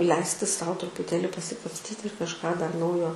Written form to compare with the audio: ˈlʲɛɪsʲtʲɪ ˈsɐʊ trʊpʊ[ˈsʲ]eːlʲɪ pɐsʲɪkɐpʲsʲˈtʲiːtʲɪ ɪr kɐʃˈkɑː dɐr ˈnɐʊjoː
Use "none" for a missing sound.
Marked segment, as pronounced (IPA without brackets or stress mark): tʲ